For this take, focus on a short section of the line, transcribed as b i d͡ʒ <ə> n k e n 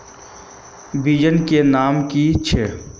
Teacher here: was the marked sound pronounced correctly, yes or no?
yes